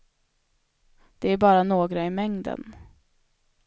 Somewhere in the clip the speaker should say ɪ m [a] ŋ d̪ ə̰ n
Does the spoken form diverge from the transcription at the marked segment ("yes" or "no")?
yes